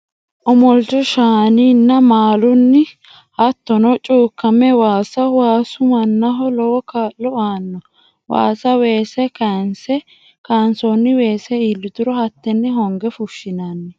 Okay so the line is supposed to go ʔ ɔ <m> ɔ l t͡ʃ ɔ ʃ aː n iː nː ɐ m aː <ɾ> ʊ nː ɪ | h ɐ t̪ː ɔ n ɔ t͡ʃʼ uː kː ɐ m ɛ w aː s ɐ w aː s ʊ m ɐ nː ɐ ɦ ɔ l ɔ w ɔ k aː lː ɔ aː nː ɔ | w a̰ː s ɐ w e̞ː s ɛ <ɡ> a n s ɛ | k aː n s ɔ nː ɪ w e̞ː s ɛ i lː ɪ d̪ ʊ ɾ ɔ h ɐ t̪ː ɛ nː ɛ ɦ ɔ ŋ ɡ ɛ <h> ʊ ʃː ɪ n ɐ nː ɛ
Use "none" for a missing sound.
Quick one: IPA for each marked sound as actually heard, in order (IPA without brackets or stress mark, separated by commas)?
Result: m, l, k, f